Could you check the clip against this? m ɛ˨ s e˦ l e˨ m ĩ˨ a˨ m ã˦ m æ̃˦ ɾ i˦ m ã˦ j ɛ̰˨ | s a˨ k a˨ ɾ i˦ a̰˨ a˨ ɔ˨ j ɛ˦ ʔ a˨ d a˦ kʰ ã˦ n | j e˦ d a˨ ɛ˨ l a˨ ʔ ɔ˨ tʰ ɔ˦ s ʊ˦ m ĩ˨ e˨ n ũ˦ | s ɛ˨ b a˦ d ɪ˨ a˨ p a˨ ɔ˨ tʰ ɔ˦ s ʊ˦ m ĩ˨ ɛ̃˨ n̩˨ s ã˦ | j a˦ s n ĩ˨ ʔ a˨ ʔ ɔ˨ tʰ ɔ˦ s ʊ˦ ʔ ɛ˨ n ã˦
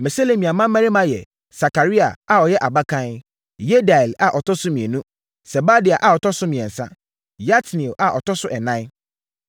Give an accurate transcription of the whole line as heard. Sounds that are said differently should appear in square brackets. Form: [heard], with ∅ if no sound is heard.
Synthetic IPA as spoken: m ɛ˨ s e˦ l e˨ m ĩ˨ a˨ m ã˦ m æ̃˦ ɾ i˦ m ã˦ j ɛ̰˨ | s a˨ k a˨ ɾ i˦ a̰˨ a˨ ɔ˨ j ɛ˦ ʔ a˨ [b] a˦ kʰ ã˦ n | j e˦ d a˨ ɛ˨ l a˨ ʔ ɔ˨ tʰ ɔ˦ s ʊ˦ m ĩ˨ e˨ n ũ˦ | s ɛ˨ b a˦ d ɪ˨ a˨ [ʔ] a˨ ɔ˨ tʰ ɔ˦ s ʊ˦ m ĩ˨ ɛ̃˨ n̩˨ s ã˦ | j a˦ [t] n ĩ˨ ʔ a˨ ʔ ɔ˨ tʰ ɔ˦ s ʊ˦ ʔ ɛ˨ n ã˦

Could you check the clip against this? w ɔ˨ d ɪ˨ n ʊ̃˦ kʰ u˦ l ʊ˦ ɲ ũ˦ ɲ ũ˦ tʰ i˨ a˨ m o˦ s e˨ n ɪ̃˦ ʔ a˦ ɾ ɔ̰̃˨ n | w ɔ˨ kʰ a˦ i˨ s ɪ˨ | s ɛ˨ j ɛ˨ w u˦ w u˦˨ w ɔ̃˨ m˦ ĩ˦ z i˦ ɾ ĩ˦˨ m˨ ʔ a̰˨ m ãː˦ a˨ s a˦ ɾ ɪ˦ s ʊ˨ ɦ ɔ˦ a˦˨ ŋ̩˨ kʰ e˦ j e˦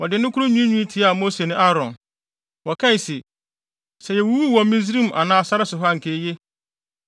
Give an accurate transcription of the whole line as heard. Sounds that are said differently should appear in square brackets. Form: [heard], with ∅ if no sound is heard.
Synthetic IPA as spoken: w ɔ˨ d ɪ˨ n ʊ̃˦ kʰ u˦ [ɾ] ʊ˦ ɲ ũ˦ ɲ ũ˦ tʰ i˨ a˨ m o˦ s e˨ n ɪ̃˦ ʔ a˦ ɾ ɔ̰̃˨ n | w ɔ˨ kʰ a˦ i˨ s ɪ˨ | s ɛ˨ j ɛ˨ w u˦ w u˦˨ w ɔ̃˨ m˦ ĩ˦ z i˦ ɾ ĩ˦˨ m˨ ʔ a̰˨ [n] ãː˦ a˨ s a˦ ɾ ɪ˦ s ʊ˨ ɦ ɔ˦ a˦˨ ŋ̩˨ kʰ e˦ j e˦

